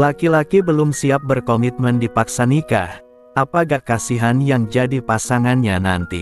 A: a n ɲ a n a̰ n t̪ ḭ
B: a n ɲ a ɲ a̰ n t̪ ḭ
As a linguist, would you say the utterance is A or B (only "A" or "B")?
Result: A